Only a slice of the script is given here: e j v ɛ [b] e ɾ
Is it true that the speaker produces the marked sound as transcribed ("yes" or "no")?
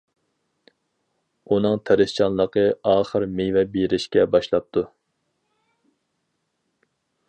yes